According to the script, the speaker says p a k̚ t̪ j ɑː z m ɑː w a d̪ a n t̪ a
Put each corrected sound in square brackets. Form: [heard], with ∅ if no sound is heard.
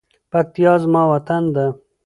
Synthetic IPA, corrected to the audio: p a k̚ t̪ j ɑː z m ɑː w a [t̪] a n [d̪] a